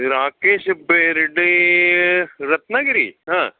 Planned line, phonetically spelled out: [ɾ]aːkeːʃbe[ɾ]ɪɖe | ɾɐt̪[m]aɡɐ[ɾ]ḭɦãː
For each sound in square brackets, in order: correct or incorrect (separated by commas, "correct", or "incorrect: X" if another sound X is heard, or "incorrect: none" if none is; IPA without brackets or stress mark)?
correct, correct, incorrect: n, correct